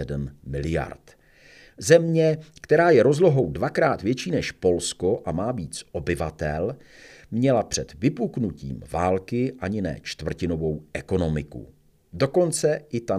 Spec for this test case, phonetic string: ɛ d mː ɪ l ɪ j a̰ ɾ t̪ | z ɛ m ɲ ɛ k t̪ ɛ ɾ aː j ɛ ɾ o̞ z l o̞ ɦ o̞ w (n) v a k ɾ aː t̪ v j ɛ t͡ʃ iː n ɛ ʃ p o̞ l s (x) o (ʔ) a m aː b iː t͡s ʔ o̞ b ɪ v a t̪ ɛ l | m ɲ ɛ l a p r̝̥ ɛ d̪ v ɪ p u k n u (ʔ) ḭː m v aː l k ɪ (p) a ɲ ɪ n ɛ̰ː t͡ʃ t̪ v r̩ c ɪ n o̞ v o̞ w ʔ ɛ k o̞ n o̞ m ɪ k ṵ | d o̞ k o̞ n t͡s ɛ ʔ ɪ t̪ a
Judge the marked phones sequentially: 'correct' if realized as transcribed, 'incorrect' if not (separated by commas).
incorrect, incorrect, correct, incorrect, incorrect